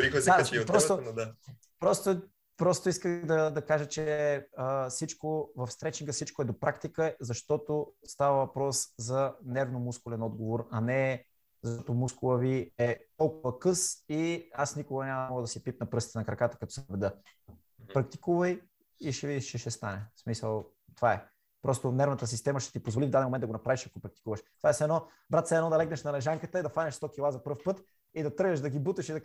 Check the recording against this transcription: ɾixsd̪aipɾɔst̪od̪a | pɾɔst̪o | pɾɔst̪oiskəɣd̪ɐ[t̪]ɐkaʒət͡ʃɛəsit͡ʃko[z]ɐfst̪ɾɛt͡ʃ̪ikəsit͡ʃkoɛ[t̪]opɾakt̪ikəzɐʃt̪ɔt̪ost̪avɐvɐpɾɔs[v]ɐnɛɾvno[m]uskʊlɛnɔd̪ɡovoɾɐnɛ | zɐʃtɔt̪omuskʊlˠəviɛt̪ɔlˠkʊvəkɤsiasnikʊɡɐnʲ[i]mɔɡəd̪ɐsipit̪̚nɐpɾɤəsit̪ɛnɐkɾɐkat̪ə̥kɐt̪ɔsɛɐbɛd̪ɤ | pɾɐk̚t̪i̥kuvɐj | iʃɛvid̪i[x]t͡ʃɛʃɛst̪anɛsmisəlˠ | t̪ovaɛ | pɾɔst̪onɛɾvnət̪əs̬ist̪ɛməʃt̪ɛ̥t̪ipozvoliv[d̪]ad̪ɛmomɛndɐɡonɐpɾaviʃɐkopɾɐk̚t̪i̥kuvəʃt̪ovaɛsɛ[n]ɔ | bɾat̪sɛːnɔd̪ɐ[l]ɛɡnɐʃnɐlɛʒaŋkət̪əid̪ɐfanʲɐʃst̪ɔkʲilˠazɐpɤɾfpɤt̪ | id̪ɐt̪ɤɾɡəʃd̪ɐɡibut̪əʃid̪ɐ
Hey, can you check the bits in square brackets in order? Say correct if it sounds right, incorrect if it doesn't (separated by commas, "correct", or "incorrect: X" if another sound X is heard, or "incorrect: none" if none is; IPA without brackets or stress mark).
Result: incorrect: d̪, incorrect: v, incorrect: d̪, incorrect: z, correct, incorrect: a, incorrect: ʃ, correct, correct, correct